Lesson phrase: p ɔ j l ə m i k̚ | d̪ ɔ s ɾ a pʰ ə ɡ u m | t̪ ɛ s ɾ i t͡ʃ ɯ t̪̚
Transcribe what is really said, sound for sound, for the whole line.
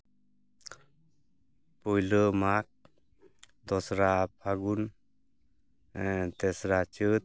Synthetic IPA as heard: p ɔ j l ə m a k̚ | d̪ ɔ s ɾ a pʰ a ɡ u n | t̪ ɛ s ɾ a t͡ʃ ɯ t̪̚